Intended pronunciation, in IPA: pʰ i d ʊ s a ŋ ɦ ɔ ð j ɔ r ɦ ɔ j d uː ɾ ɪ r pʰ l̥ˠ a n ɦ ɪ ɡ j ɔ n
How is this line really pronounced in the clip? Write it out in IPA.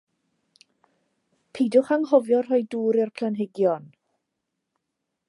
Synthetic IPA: pʰ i d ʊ χ a ŋ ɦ ɔ v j ɔ r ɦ ɔ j d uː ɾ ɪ r pʰ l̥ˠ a n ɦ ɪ ɡ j ɔ n